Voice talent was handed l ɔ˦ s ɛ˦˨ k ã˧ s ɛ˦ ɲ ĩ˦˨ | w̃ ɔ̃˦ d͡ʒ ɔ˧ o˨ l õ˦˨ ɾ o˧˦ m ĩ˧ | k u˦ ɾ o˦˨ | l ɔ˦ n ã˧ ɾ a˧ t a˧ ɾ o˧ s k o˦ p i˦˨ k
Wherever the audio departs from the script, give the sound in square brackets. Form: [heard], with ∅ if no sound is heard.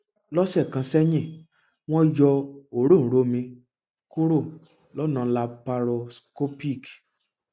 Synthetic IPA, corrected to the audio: l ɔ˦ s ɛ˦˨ k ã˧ s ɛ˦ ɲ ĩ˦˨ | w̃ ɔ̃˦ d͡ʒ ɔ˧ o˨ [ɾ] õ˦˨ ɾ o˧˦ m ĩ˧ | k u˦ ɾ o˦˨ | l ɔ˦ n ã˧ [l] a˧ [p] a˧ ɾ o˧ s k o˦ p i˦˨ k